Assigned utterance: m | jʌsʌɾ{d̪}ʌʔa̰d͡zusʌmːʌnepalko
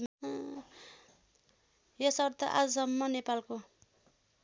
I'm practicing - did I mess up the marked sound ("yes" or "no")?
yes